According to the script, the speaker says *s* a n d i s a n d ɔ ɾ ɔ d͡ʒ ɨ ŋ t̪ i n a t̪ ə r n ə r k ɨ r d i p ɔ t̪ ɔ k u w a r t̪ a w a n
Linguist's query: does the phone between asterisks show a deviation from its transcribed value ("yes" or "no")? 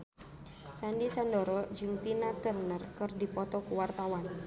no